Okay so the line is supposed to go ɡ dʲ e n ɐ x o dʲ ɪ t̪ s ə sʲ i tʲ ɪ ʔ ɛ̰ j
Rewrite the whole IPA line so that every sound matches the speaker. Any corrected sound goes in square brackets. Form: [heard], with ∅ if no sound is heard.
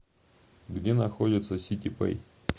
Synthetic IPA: ɡ dʲ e n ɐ x o dʲ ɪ t̪ s ə sʲ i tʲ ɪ [p] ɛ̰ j